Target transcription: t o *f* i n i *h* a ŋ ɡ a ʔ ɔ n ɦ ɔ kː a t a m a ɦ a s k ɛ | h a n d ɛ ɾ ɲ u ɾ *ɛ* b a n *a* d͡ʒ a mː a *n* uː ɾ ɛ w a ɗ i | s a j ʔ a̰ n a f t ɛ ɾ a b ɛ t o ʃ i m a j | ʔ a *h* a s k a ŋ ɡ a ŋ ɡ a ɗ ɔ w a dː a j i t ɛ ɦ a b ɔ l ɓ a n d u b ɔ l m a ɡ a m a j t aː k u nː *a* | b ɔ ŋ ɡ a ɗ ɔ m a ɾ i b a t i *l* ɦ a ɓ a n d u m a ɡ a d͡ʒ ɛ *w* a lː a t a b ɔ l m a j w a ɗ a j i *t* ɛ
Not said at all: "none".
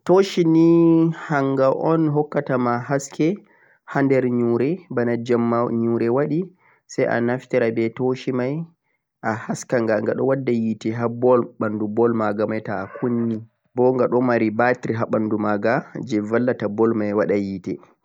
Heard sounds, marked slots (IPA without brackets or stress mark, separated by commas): ʃ, h, ɛ, a, ɲ, h, i, ɾ, v, t